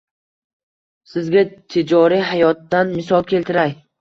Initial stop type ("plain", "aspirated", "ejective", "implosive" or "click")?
plain